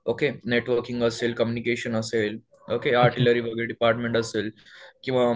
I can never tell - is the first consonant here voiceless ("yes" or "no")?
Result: yes